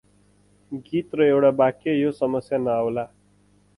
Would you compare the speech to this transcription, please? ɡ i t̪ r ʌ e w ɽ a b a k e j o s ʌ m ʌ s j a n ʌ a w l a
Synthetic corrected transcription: ɡ i t̪ r ʌ e w ɽ a b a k e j o s ʌ m ʌ s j a n ʌ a w l a